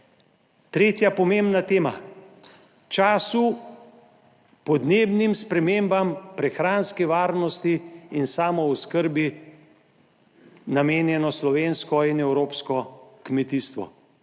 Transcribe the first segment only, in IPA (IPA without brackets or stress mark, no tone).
t̪